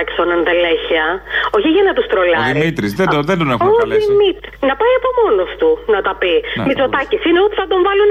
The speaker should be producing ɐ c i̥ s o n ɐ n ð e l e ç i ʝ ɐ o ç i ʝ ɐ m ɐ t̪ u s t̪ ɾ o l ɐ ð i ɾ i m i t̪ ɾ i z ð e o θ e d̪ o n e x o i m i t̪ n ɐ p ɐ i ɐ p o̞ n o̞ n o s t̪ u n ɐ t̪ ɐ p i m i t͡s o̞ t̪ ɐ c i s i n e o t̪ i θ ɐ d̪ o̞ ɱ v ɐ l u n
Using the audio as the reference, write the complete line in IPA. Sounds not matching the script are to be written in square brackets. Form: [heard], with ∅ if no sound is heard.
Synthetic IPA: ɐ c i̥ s o n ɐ n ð e l e ç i [∅] ɐ o ç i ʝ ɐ [n] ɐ t̪ u s t̪ ɾ o l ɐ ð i ɾ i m i t̪ ɾ i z ð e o [ð] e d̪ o n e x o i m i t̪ n ɐ p ɐ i ɐ p o̞ [m] o̞ n o s t̪ u n ɐ t̪ ɐ p i m i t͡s o̞ t̪ ɐ c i s i n e o t̪ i θ ɐ d̪ o̞ ɱ v ɐ l u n